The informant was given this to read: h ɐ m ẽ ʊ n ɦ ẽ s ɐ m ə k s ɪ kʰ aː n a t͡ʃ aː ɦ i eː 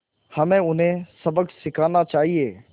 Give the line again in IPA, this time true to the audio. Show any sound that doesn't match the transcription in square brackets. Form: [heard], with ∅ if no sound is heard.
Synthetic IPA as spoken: h ɐ m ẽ ʊ n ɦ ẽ s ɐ [b] ə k s ɪ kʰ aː n a t͡ʃ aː ɦ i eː